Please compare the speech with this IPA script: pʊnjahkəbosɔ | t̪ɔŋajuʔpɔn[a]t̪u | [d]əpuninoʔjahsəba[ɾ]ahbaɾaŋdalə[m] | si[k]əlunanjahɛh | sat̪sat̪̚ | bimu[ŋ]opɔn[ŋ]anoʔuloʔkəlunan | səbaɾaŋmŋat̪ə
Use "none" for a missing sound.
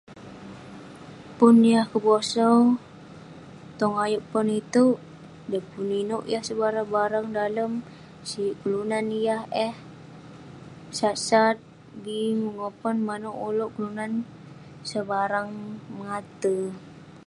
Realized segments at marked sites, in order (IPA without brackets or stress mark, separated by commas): i, d, ɾ, m, k, ŋ, m